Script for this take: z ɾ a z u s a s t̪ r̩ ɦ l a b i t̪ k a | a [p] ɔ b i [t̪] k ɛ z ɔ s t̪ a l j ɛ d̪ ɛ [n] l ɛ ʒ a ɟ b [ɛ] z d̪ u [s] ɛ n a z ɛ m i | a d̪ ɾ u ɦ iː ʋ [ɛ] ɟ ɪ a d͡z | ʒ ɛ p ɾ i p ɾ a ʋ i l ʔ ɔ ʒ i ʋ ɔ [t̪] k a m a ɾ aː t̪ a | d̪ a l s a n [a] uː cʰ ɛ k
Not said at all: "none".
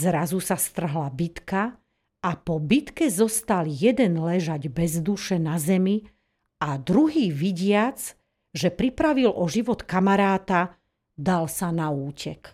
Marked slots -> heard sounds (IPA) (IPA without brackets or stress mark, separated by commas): p, t̪, n, ɛ, ʃ, i, t̪, a